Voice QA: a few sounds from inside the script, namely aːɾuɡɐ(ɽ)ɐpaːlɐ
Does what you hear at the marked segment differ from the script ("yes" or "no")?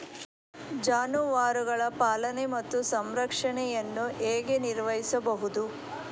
yes